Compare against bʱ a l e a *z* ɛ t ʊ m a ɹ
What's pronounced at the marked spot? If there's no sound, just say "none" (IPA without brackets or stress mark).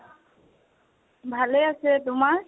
s